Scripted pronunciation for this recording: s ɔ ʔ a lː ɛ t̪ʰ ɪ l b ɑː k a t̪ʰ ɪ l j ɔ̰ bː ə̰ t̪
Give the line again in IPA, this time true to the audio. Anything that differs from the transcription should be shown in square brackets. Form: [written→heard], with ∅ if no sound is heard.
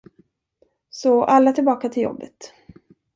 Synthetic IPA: s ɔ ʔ a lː [ɛ→a] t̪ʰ ɪ l b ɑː k a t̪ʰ ɪ l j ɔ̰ bː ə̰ t̪